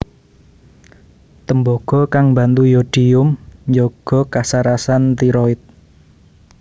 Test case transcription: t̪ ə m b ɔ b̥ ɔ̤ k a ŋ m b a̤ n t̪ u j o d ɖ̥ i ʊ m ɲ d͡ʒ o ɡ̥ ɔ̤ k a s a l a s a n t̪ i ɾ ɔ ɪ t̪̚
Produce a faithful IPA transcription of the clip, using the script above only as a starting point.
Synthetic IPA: t̪ ə m b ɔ ɡ̥ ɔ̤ k a ŋ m b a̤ n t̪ u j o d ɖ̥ i ʊ m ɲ d͡ʒ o ɡ̥ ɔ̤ k a s a ɾ a s a n t̪ i ɾ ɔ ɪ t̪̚